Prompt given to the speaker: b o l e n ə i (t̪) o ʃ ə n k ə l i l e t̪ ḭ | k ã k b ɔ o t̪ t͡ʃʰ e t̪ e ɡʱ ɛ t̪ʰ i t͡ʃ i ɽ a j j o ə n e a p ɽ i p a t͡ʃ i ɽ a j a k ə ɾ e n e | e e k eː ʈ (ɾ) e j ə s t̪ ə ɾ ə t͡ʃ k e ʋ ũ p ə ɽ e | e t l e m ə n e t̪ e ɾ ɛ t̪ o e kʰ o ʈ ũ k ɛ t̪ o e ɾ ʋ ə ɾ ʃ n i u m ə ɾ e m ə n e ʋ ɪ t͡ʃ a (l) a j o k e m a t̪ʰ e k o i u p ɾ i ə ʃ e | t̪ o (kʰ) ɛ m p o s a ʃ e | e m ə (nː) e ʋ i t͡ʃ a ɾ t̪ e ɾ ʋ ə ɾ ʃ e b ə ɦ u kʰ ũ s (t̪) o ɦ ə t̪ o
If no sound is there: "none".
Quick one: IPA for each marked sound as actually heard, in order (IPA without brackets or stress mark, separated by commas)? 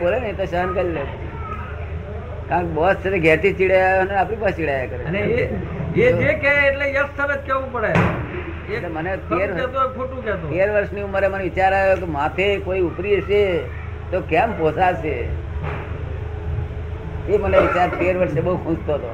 t̪, l, ɾ, k, n, t̪